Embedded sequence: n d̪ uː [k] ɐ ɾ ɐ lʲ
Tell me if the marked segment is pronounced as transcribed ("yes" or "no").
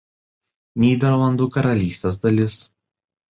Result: yes